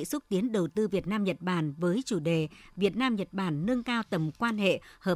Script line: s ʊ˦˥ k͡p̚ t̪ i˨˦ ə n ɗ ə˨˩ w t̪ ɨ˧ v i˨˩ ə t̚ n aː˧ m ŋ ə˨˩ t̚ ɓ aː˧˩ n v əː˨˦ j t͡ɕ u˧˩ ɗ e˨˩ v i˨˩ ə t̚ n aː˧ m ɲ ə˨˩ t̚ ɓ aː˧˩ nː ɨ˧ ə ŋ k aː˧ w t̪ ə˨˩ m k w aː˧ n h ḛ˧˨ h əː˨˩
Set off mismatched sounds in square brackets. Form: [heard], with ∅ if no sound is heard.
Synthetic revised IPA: s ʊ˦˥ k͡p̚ t̪ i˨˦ ə n ɗ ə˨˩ w t̪ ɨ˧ v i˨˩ ə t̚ n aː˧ m [ɲ] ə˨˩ t̚ ɓ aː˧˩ n v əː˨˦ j t͡ɕ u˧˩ ɗ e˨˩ v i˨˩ ə t̚ n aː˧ m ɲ ə˨˩ t̚ ɓ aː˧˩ nː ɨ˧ ə ŋ k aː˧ w t̪ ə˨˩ m k w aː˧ n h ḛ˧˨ h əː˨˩